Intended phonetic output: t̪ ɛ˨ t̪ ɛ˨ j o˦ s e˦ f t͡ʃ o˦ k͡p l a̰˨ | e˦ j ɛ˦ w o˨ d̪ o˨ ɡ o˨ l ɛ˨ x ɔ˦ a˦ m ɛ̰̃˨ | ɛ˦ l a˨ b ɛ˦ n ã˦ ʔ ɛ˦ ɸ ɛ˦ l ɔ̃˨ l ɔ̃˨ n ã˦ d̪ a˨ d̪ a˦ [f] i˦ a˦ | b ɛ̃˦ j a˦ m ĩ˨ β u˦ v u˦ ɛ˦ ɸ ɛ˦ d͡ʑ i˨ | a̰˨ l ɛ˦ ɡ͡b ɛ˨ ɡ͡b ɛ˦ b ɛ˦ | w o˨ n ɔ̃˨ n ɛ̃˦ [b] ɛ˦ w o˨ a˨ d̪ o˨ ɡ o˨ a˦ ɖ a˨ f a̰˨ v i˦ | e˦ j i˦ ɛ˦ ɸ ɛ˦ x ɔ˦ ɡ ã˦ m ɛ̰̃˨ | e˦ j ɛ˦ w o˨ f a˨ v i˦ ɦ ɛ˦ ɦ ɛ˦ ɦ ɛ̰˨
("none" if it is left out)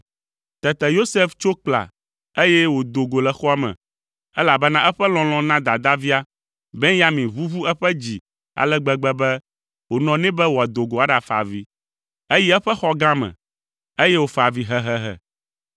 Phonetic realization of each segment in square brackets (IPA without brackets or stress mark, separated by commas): v, b